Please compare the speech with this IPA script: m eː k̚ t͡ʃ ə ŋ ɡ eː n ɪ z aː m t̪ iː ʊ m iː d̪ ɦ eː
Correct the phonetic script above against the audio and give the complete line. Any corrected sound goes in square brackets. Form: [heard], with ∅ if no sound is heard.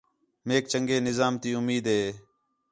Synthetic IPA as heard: m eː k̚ t͡ʃ ə ŋ ɡ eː n ɪ z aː m t̪ iː ʊ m iː d̪ ɦ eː